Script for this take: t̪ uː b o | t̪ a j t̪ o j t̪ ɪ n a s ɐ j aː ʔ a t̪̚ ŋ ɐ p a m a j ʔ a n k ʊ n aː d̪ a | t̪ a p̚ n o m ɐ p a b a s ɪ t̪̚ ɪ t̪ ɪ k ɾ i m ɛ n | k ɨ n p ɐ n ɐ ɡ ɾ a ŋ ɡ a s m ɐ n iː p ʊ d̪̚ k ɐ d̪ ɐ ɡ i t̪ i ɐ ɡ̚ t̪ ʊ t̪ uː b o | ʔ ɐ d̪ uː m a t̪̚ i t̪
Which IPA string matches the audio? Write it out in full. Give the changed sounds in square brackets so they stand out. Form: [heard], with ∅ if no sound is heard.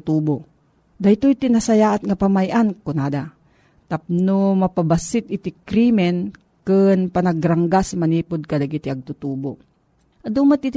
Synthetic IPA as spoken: t̪ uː b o | [d̪] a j t̪ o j t̪ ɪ n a s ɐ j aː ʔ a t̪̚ ŋ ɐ p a m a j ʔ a n k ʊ n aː d̪ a | t̪ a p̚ n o m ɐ p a b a s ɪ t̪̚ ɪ t̪ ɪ k ɾ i m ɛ n | k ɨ n p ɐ n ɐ ɡ ɾ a ŋ ɡ a s m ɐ n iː p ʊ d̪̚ k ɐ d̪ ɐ ɡ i t̪ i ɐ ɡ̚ t̪ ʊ t̪ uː b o | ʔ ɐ d̪ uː m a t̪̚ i t̪